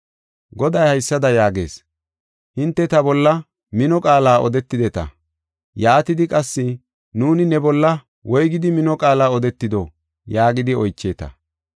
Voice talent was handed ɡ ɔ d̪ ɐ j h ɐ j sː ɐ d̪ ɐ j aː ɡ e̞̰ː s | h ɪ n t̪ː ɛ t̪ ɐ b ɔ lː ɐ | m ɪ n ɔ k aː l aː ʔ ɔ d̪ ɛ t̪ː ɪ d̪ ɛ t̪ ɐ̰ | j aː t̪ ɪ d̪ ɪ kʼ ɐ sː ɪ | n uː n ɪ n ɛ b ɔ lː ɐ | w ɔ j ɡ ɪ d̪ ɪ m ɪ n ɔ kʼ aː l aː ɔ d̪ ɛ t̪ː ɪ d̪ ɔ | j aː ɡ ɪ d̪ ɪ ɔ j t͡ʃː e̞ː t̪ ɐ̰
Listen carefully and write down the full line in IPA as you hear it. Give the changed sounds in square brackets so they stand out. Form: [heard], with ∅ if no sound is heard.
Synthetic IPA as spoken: ɡ ɔ d̪ ɐ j h ɐ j sː ɐ d̪ ɐ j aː ɡ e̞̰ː s | h ɪ n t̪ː ɛ t̪ ɐ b ɔ lː ɐ | m ɪ n ɔ [kʼ] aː l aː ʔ ɔ d̪ ɛ t̪ː ɪ d̪ ɛ t̪ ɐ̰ | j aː t̪ ɪ d̪ ɪ kʼ ɐ sː ɪ | n uː n ɪ n ɛ b ɔ lː ɐ | w ɔ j ɡ ɪ d̪ ɪ m ɪ n ɔ kʼ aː l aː ɔ d̪ ɛ t̪ː ɪ d̪ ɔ | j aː ɡ ɪ d̪ ɪ ɔ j t͡ʃː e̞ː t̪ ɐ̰